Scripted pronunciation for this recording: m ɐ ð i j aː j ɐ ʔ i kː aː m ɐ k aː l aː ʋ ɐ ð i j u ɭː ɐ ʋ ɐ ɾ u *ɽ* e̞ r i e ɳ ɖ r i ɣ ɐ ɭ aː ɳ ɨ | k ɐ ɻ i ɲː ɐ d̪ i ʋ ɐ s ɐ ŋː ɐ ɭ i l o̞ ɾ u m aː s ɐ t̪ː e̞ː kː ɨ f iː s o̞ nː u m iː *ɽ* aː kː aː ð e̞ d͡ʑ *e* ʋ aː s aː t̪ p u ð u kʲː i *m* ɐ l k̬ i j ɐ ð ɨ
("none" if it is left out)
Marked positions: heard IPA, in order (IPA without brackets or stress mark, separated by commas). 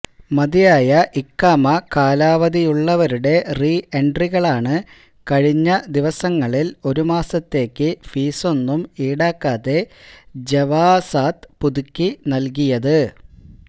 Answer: ɽ, ɽ, e, n